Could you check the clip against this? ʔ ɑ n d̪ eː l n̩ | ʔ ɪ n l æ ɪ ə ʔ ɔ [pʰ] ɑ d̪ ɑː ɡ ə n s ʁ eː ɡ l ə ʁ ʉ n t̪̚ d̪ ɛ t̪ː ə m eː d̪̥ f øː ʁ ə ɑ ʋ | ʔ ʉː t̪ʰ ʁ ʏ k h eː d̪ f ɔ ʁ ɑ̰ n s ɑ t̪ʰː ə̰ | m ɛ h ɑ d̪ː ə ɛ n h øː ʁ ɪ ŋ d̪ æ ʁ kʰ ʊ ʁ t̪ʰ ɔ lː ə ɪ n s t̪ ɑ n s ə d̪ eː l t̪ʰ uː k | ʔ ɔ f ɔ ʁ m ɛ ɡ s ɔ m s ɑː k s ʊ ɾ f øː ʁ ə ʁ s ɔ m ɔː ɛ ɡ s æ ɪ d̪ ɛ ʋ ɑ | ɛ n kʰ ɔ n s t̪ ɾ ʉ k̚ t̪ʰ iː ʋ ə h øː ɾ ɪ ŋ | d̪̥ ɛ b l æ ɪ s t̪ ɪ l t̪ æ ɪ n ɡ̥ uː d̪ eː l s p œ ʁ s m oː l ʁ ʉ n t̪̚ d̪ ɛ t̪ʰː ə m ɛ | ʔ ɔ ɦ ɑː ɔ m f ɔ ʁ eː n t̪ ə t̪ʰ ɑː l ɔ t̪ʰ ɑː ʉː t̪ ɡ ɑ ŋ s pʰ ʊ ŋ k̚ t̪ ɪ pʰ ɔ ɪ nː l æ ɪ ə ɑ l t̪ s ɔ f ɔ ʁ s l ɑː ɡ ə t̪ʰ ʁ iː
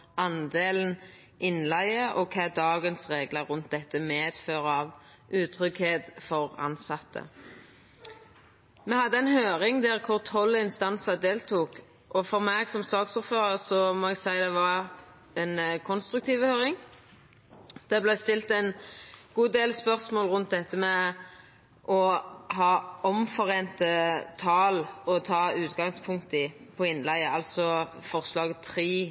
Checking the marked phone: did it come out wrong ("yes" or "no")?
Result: yes